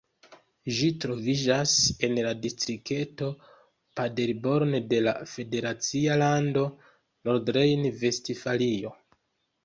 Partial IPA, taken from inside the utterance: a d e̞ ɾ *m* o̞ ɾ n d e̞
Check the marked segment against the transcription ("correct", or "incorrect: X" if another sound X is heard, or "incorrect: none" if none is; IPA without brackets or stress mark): incorrect: b